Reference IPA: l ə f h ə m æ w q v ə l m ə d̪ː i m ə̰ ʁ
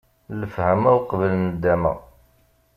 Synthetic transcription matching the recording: l ə f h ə m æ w q v ə l n ə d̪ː æ m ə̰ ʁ